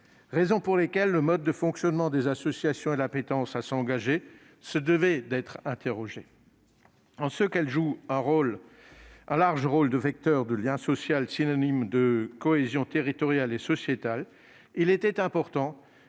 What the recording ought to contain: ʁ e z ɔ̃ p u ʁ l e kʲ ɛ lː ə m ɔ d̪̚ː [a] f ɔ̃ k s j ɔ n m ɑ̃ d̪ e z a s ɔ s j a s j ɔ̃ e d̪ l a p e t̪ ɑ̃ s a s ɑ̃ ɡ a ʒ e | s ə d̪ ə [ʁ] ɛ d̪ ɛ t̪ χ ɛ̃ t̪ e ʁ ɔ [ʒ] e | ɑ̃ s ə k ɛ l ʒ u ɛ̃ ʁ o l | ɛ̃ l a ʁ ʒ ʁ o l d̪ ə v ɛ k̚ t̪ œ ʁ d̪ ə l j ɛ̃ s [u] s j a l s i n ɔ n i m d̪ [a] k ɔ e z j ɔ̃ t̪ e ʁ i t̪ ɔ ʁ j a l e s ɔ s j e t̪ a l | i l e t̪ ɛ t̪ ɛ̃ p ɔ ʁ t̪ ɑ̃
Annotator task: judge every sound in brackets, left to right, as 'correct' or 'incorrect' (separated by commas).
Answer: incorrect, incorrect, correct, incorrect, incorrect